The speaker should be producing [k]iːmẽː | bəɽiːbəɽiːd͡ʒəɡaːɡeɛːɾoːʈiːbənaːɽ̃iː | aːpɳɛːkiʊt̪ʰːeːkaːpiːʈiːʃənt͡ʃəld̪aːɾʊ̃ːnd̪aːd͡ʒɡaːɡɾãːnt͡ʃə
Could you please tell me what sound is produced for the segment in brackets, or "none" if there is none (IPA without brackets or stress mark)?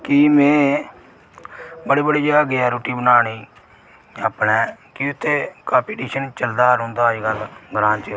k